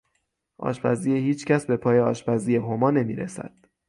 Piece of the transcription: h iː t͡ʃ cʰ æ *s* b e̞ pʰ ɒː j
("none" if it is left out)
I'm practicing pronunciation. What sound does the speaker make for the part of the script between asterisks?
s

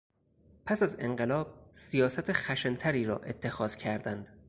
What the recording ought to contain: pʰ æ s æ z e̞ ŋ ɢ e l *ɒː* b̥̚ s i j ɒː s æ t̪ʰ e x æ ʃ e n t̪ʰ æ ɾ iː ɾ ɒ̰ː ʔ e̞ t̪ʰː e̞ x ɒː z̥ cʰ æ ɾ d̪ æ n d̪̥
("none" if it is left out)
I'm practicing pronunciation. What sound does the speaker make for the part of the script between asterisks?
ɒː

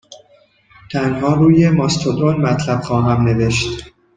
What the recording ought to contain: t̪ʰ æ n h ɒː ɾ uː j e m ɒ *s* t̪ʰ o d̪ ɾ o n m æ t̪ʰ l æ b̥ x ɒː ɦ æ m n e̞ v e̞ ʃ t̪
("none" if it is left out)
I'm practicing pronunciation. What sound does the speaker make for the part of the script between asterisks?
s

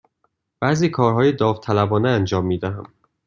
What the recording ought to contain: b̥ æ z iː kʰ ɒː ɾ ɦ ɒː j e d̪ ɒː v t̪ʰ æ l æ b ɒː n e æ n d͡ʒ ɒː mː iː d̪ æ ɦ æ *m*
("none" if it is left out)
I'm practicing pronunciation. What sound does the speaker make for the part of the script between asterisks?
m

